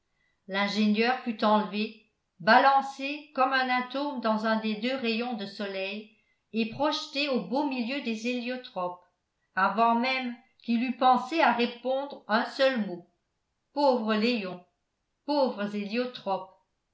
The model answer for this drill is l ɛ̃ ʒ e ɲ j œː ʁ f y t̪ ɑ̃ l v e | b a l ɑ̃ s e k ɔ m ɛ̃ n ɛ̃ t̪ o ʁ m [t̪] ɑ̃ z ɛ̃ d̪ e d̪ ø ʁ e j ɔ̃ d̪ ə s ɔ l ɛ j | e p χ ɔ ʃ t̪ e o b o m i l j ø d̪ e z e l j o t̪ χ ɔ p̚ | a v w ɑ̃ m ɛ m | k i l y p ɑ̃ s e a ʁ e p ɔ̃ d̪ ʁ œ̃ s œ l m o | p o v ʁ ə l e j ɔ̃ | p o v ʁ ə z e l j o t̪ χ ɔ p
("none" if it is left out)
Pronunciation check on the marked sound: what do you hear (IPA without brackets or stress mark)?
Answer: d̪